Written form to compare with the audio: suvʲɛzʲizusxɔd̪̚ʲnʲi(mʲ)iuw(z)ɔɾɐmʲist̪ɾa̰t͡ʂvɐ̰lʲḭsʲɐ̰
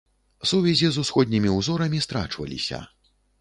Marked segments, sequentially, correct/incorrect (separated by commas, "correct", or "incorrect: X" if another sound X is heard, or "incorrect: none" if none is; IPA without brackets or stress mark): correct, correct